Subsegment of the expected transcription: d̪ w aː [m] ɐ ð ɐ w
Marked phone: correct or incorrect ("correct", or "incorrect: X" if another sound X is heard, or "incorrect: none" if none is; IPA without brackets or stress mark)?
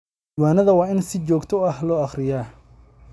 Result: incorrect: n